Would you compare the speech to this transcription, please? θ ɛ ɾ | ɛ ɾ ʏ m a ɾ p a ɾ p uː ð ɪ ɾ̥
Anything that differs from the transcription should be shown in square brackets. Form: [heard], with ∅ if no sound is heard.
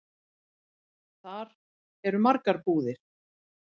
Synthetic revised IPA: θ [a] ɾ | ɛ ɾ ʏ m a ɾ [k] a ɾ p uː ð ɪ ɾ̥